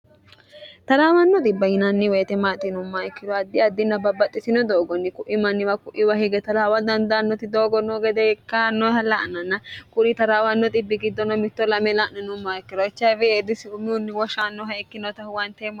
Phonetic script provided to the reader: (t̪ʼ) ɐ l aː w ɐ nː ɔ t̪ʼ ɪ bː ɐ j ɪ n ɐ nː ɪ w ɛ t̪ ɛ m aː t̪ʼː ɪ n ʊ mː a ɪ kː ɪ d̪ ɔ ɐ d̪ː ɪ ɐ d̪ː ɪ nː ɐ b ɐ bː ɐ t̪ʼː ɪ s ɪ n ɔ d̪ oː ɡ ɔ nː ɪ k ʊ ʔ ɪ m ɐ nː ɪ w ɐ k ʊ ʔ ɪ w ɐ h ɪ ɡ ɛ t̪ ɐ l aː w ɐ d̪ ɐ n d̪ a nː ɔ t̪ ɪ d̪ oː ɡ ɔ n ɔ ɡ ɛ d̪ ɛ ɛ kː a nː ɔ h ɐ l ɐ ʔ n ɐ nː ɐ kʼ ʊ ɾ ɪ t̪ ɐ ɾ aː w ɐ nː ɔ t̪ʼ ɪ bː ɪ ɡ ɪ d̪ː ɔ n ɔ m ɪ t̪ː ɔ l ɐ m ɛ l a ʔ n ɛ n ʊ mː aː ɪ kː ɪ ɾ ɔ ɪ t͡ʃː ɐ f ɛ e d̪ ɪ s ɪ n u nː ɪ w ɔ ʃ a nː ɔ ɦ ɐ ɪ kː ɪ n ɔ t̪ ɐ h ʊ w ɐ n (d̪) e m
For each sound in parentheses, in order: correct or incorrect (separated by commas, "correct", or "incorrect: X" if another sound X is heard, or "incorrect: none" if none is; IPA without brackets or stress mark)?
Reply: incorrect: t̪, incorrect: t̪